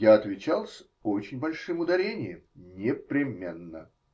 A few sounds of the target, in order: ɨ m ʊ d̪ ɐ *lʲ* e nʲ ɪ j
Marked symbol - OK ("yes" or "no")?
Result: no